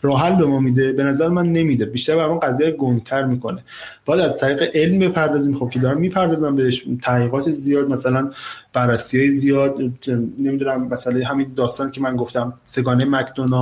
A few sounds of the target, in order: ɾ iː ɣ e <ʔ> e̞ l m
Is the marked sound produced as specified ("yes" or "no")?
yes